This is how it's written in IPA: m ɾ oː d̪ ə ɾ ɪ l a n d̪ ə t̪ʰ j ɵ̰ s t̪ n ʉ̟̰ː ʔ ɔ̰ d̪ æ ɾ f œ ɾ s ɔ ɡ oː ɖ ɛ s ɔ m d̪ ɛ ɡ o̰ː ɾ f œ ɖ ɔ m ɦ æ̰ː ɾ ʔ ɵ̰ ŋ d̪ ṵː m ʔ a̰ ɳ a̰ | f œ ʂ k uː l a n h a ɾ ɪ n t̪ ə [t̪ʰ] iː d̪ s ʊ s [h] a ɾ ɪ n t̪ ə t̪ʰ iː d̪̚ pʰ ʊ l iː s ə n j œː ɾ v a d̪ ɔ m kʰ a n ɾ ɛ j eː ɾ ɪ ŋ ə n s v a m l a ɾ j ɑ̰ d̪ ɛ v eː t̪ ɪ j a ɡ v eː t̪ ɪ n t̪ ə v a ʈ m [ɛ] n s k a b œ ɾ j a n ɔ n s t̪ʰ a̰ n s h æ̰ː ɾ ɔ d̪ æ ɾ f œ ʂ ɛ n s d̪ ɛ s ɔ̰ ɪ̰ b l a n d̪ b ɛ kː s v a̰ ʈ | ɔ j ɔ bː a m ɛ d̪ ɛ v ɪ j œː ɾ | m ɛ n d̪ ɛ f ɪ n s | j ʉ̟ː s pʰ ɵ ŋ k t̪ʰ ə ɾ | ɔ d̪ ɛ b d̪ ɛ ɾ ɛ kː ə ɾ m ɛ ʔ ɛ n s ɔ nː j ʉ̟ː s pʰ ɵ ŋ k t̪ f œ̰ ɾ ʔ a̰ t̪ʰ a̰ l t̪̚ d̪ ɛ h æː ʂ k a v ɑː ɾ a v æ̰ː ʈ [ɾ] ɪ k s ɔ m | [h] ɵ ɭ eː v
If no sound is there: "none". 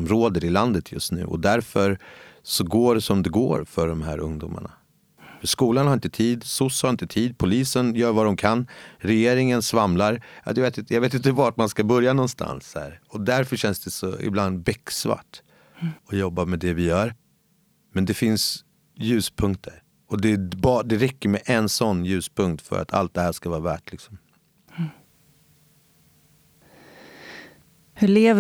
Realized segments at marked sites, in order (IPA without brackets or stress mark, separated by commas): t̪ʰ, h, a, l, h